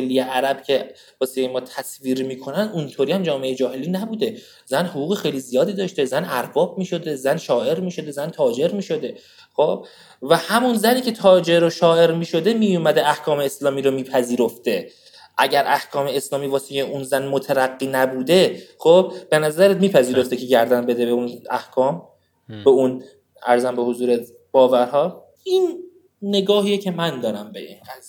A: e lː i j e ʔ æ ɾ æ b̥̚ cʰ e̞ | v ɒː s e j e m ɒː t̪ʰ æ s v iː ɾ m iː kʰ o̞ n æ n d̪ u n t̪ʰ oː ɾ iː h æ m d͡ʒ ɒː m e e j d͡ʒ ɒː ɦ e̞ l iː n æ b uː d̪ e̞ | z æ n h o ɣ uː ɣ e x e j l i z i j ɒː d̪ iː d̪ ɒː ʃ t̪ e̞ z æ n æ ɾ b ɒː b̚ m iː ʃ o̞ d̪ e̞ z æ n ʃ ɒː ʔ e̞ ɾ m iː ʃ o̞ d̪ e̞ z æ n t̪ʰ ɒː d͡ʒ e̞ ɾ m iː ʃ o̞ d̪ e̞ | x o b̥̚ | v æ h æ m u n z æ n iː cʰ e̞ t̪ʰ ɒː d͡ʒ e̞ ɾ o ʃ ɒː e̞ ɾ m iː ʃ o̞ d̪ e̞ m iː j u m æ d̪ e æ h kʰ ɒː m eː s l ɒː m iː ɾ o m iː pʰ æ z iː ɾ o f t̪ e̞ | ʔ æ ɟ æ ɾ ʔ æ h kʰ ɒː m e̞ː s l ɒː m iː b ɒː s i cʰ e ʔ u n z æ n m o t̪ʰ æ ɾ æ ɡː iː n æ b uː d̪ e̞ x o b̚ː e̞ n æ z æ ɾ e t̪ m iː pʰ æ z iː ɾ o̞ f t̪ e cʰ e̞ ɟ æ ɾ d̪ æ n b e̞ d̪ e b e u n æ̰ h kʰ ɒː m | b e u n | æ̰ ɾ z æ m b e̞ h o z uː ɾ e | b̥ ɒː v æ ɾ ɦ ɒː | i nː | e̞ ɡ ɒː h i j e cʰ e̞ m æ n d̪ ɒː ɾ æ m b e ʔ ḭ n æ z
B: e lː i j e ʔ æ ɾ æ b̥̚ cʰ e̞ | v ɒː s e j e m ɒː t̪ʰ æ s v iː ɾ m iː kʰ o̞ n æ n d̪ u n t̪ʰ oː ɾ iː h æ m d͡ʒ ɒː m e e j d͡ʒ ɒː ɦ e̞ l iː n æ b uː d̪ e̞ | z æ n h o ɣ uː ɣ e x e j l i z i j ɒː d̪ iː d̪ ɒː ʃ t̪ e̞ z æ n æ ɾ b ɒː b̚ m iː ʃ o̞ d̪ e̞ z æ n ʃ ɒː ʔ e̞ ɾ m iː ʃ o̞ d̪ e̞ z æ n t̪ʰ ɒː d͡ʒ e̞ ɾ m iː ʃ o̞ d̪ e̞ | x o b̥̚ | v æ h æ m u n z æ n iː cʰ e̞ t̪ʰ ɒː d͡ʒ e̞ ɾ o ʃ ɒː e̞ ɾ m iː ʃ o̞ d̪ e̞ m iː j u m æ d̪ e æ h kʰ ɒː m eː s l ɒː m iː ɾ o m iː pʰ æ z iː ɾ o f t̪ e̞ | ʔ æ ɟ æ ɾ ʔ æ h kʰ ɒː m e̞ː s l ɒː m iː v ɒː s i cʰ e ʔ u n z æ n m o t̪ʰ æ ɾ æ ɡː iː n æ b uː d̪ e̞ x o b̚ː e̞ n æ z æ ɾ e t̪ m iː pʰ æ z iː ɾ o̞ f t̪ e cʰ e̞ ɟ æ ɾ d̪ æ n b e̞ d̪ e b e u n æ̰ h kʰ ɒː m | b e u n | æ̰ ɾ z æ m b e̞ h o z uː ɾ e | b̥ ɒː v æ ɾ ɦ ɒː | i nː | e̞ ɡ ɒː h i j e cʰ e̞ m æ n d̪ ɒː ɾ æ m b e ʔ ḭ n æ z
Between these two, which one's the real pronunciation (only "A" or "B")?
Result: B